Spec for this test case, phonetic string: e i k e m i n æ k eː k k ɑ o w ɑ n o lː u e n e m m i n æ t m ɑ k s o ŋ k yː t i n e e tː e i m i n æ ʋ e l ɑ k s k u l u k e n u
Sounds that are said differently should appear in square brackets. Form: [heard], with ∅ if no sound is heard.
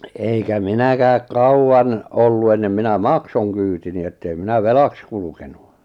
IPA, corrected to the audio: e i k [æ] m i n æ k [æː] k k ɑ [u] w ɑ n o lː u e [nː] e m m i n æ [∅] m ɑ k s o ŋ k yː t i n [i] e tː e i m i n æ ʋ e l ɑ k s k u l u k e n u